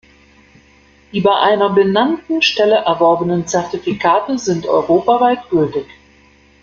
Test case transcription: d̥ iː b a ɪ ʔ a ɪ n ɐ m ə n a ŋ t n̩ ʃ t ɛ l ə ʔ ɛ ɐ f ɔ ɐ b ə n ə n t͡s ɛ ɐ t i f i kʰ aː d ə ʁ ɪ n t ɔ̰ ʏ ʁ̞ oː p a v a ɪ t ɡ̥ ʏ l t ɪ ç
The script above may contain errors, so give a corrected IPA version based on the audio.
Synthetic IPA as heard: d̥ iː b a ɪ ʔ a ɪ n ɐ b ə n a n t n̩ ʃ t ɛ l ə ʔ ɛ ɐ v ɔ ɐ b ə n ə n t͡s ɛ ɐ t i f i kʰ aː t ə z ɪ n t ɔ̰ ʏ ʁ̞ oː p a v a ɪ t ɡ̥ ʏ l t ɪ ç